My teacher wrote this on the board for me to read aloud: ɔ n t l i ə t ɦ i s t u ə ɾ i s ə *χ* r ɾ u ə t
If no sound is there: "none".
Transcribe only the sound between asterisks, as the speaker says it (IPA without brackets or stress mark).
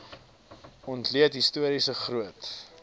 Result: χ